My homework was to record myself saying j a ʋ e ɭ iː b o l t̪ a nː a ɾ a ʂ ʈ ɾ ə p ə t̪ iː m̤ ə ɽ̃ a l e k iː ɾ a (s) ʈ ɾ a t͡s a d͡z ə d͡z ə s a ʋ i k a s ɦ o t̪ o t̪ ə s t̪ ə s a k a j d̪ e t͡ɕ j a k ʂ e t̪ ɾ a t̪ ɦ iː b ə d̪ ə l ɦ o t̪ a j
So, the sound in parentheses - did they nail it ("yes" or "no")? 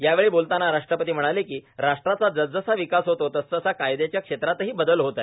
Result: no